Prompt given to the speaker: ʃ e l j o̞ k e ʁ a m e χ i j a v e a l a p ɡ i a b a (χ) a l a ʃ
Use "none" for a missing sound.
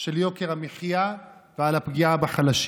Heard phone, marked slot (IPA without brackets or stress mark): χ